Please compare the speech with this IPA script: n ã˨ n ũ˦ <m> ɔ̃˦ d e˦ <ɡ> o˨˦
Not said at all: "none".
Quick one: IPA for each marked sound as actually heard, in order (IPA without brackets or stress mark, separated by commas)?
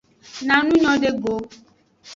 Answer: ɲ, ɡ